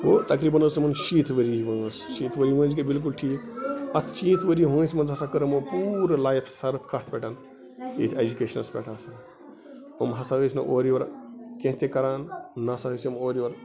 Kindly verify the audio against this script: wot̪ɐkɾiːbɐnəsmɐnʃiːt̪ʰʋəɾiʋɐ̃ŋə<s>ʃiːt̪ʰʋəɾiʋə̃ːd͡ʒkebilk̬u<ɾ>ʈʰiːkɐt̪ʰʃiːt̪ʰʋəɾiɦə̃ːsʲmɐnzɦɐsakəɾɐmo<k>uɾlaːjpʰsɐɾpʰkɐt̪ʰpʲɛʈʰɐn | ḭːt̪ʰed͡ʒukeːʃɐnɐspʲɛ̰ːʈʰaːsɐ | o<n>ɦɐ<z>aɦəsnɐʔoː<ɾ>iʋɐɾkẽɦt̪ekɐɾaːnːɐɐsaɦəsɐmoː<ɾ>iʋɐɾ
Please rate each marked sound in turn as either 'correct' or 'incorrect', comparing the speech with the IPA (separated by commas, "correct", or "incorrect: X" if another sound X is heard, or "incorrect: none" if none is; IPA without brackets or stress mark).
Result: correct, incorrect: l, incorrect: p, incorrect: m, incorrect: s, correct, correct